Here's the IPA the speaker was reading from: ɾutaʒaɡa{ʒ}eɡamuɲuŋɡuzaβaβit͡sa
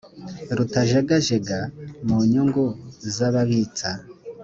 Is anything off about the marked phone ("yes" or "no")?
no